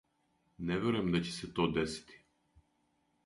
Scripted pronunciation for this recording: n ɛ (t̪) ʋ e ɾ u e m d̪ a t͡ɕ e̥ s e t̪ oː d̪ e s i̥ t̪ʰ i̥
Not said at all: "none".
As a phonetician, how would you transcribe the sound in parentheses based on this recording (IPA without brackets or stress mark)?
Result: none